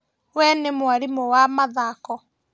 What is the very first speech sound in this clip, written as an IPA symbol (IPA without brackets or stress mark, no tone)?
w